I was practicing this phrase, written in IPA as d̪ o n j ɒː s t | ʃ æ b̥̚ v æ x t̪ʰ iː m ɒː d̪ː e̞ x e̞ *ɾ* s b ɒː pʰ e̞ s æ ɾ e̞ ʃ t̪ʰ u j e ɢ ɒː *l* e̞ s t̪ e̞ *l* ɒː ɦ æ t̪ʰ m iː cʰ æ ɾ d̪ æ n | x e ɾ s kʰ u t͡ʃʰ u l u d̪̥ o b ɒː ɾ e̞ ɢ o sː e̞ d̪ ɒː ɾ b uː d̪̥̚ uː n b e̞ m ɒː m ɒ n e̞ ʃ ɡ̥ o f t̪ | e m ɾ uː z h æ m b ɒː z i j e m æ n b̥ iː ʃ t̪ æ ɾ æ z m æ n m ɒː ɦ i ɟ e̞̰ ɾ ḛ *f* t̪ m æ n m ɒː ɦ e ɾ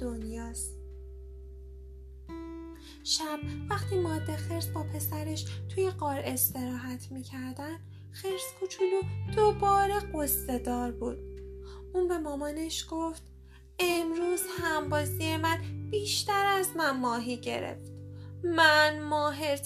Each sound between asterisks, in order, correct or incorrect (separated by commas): correct, incorrect, incorrect, correct